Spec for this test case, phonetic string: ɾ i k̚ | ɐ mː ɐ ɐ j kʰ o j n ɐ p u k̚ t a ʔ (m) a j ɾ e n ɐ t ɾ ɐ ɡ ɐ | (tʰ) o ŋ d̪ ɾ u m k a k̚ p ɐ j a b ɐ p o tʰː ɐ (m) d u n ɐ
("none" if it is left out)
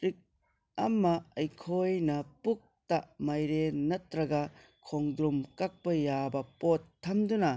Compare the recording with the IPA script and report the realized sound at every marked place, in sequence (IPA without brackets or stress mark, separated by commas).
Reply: m, kʰ, m